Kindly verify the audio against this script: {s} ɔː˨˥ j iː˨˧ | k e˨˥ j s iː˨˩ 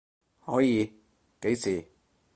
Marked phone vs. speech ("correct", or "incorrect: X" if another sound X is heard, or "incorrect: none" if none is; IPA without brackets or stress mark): incorrect: h